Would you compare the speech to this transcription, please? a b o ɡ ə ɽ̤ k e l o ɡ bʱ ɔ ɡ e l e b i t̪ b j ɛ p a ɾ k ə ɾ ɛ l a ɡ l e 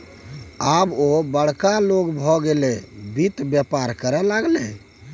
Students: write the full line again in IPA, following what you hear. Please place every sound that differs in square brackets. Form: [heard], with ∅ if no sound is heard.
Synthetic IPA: a b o [b] ə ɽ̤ k [a] l o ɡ bʱ ɔ ɡ e l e b i t̪ b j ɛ p a ɾ k ə ɾ ɛ l a ɡ l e

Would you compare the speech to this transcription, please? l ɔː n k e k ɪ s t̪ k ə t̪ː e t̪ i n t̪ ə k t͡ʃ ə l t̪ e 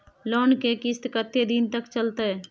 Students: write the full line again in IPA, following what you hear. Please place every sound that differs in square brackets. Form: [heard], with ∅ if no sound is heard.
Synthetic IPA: l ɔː n k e k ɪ s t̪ k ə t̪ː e [d̪] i n t̪ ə k t͡ʃ ə l t̪ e

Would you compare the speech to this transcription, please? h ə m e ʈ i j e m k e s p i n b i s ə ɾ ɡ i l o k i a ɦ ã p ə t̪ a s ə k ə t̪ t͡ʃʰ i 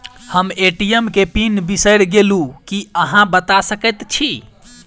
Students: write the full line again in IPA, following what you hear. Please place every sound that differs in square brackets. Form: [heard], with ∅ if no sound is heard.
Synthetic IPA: h ə m e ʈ i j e m k e [∅] p i n b i s ə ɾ ɡ [e] l [u] k i [ə] ɦ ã [b] ə t̪ a s ə k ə t̪ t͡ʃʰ i

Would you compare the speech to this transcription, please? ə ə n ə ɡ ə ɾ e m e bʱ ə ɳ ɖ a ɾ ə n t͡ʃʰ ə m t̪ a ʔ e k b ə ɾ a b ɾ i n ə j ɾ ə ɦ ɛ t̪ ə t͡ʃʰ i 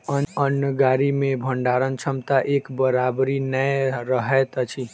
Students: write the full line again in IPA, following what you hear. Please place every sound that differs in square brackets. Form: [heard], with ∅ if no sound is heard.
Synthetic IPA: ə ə n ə ɡ [a] ɾ [i] m e bʱ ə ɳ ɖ a ɾ ə n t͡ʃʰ ə m t̪ a ʔ e k b ə ɾ a b ɾ i n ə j ɾ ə ɦ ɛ t̪ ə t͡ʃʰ i

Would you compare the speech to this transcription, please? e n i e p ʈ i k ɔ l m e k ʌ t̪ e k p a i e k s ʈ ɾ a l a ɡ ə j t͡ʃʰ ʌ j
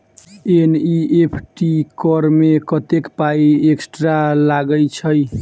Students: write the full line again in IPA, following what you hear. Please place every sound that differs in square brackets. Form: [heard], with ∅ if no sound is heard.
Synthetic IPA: e n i e [pʰ] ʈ i k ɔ [ɾ] m e k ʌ t̪ e k p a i e k s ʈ ɾ a l a ɡ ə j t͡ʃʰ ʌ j

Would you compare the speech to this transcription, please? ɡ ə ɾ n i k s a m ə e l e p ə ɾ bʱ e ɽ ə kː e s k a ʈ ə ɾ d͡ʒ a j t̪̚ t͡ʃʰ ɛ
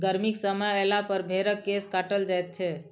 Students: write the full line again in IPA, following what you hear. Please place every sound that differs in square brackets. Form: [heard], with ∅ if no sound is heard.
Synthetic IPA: ɡ ə ɾ [m] i k s [ə] m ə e l [a] p ə ɾ bʱ e [ɾ] ə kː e s k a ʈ ə [l] d͡ʒ a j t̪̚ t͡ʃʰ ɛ

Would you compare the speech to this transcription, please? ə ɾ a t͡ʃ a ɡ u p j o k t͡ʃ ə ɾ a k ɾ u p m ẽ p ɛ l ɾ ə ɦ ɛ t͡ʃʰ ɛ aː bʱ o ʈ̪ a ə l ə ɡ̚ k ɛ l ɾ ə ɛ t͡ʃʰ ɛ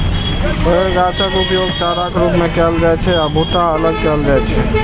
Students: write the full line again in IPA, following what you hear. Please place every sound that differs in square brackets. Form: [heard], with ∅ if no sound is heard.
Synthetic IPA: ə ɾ a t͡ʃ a [k] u p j o [ɡ] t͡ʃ [a] ɾ a k ɾ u p m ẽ [k] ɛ l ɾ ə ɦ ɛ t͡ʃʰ ɛ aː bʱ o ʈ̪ a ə l ə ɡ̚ k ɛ l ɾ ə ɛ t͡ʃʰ ɛ

